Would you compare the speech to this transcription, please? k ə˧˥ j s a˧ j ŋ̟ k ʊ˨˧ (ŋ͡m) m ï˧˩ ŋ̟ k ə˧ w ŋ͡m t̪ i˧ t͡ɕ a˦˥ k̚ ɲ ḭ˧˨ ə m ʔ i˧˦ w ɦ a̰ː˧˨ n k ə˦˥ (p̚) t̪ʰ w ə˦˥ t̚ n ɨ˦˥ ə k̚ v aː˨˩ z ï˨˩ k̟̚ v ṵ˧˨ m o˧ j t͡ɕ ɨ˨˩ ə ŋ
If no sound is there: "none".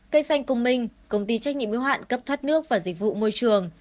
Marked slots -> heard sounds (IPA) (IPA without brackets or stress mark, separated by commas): ŋ͡m, p̚